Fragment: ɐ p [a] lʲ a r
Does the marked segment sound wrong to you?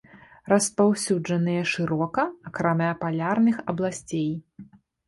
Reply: no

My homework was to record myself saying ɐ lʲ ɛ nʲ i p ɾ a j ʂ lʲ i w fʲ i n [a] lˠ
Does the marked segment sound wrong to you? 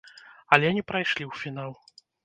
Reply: no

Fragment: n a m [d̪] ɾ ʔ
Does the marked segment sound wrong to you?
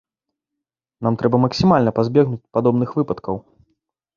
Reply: yes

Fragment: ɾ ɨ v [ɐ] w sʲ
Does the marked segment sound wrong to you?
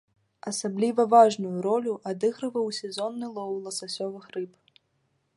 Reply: no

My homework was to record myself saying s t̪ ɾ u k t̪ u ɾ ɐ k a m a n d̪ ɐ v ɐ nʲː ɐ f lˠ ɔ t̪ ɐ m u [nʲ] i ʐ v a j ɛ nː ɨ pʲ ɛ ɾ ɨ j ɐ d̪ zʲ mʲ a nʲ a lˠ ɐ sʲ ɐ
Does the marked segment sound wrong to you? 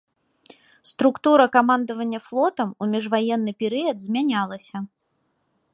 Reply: yes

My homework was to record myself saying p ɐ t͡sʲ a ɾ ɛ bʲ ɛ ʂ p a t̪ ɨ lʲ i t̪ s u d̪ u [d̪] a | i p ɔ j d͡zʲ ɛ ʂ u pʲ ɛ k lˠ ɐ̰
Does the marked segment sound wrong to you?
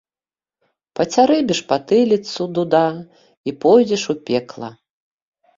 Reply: no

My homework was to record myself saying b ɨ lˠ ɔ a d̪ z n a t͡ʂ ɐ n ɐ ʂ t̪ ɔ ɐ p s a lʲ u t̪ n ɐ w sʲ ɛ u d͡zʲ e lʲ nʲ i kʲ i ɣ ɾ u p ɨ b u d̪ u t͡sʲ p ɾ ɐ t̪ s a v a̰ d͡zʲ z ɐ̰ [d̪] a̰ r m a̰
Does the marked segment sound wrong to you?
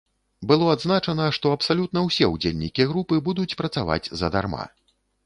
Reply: no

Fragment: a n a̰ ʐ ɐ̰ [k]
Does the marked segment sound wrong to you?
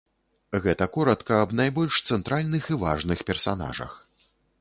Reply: yes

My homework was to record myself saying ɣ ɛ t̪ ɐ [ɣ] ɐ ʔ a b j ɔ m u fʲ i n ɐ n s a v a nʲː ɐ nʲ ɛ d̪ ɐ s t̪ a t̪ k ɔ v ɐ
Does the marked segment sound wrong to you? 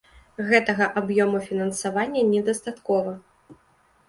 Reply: no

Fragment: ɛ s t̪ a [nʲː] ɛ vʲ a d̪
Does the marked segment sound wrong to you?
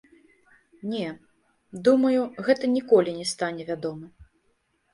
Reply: yes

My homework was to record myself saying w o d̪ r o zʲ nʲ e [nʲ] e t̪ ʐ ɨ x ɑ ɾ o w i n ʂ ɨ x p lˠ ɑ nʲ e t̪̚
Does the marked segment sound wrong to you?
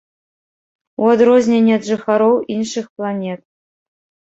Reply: no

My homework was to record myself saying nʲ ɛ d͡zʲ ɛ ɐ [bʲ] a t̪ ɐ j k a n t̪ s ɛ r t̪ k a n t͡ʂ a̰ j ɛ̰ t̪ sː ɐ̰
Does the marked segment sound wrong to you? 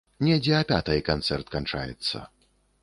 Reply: yes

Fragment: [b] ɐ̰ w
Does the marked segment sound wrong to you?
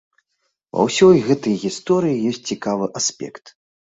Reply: yes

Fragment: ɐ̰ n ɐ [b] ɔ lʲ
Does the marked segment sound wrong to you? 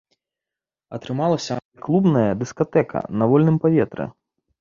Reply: yes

